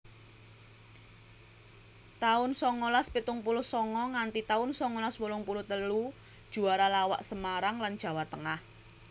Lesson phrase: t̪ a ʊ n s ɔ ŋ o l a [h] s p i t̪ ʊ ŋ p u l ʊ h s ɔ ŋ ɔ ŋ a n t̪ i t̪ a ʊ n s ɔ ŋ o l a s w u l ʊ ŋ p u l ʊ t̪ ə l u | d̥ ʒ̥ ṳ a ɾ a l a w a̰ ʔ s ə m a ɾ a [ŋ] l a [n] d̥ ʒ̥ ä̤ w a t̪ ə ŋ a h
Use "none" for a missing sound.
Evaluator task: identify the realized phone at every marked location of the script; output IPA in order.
none, ŋ, n

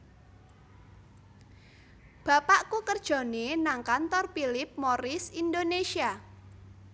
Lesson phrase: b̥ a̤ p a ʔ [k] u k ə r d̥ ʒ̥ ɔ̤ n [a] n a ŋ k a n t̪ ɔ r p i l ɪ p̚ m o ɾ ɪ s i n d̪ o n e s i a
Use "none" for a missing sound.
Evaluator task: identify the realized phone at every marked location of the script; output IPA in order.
k, e

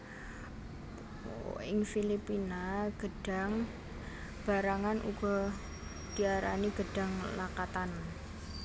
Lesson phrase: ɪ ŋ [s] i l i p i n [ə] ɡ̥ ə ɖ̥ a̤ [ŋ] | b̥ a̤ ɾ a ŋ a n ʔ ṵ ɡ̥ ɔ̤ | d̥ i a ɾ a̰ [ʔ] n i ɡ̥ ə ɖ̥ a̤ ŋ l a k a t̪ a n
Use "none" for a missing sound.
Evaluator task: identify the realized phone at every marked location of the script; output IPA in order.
f, a, ŋ, none

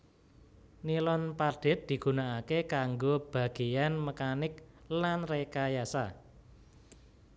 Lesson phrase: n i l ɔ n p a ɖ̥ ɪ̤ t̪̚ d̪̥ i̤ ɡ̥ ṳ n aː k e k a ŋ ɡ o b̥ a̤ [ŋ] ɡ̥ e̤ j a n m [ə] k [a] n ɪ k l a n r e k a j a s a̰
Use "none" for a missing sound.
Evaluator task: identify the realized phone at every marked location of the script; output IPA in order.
none, ə, a

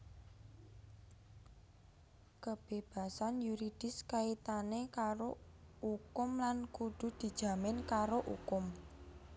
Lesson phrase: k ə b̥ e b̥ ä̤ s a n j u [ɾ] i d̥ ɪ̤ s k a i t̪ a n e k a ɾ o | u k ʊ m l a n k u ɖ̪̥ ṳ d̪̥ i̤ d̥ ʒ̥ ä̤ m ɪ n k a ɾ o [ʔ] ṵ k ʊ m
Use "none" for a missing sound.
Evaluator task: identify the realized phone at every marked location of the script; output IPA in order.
ɾ, ʔ

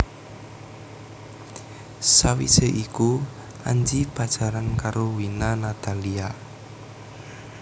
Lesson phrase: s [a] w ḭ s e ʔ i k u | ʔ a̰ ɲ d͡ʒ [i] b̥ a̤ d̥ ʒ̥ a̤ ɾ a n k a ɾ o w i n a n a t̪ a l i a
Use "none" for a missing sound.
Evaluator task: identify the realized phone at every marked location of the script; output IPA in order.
a, i

